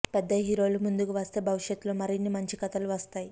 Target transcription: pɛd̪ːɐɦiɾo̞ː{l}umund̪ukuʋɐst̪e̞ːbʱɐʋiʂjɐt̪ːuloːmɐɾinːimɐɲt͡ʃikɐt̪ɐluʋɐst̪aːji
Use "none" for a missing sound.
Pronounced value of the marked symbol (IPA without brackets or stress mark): l